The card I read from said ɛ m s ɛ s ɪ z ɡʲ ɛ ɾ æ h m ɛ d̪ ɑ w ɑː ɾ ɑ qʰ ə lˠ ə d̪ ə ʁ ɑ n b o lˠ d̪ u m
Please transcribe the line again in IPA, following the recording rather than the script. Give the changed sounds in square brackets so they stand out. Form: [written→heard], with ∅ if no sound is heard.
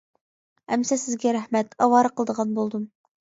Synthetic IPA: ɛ m s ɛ s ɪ z ɡʲ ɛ ɾ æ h m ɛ [d̪→t̪] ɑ w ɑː ɾ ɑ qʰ ə lˠ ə d̪ ə ʁ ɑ n b o lˠ d̪ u m